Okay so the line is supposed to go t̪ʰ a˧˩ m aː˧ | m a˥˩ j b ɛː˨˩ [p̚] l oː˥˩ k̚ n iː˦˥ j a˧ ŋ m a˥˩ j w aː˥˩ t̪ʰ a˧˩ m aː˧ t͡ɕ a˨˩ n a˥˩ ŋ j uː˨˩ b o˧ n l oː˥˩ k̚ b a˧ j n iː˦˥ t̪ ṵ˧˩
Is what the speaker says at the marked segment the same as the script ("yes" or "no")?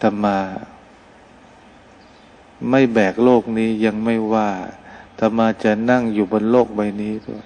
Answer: no